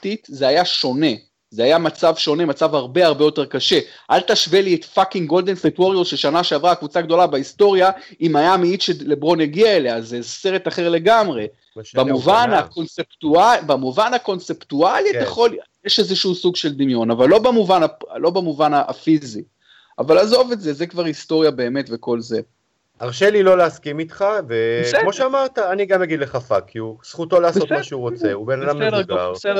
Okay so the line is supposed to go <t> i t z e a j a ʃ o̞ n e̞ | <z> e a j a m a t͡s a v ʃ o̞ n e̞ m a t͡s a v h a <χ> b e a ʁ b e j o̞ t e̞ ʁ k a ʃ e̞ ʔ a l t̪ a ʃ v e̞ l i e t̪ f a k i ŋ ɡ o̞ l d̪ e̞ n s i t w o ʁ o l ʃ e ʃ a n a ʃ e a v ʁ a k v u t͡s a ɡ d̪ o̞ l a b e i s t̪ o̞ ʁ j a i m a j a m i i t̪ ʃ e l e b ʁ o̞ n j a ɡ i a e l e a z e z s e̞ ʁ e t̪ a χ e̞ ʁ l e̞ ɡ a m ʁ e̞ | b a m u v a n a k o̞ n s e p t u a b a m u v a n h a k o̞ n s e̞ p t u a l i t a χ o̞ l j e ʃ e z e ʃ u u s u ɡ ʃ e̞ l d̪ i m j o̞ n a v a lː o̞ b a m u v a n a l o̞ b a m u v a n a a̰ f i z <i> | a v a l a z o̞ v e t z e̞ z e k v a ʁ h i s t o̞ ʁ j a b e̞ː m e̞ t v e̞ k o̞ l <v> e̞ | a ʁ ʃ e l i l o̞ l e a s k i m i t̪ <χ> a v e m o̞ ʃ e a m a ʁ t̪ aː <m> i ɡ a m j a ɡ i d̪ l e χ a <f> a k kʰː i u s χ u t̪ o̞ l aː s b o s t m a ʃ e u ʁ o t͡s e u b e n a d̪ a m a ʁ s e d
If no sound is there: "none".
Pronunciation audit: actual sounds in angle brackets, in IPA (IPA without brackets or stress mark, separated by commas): t, z, ʁ, i, z, χ, n, f